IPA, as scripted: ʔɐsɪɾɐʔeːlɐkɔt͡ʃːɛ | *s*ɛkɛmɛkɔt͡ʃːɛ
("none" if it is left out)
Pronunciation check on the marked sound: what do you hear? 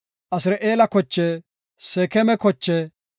s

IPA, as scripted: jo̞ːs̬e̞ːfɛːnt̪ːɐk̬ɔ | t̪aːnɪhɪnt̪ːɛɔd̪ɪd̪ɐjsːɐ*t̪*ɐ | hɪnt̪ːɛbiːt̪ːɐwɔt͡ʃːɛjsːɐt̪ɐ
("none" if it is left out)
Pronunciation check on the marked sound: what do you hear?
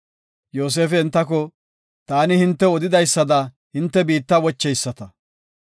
d̪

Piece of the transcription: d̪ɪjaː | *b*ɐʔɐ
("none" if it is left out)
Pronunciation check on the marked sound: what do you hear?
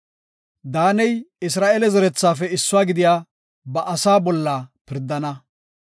b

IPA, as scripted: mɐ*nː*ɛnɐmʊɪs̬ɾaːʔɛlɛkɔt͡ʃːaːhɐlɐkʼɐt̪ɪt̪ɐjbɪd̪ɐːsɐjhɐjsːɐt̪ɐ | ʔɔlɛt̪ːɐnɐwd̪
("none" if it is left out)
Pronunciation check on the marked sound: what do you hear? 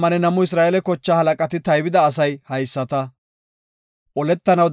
n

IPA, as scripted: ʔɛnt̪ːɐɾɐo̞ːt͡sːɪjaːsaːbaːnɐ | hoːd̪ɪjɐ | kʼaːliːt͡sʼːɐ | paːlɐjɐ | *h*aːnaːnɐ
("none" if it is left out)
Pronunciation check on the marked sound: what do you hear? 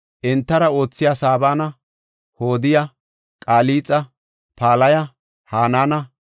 h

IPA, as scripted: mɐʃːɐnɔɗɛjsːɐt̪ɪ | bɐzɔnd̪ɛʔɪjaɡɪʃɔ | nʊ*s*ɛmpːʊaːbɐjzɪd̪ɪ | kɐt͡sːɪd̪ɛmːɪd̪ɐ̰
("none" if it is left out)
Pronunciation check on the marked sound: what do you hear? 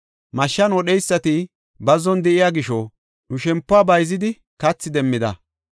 ʃ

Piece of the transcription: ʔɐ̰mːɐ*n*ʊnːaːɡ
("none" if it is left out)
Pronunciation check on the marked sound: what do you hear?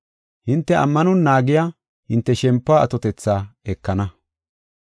n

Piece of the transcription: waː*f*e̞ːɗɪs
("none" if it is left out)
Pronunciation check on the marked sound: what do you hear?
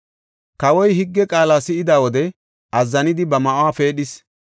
f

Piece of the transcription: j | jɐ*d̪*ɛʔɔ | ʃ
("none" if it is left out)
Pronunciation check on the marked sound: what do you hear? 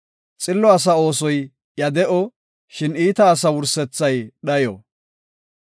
d̪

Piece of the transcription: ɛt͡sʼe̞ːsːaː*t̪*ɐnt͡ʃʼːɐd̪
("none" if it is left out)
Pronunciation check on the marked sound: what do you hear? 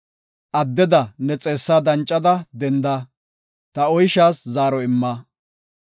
d̪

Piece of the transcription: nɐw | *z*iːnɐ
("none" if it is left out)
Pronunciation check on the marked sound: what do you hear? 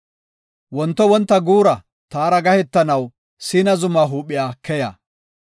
s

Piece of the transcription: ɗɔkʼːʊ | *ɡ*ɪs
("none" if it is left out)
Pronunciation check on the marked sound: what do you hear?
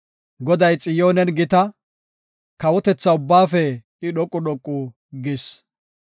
ɡ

